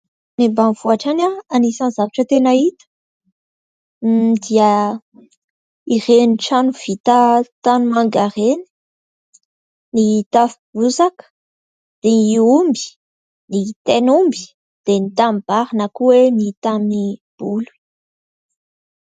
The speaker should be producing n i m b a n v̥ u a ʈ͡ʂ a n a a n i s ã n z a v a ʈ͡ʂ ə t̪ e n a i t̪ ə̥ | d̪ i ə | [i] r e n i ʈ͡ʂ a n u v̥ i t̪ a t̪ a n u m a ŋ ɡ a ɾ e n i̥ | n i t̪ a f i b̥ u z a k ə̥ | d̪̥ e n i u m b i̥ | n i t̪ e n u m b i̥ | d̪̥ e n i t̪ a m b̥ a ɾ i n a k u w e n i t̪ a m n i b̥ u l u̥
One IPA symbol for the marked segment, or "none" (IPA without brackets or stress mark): i